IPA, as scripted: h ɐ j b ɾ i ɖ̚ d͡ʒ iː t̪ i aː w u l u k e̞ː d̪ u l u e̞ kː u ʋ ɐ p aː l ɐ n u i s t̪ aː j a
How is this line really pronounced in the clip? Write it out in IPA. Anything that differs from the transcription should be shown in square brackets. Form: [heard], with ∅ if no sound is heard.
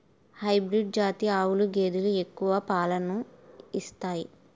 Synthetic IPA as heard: h ɐ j b ɾ i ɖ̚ d͡ʒ [aː] t̪ i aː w u l u [ɡ] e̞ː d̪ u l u e̞ kː u ʋ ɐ p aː l ɐ n u i s t̪ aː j [i]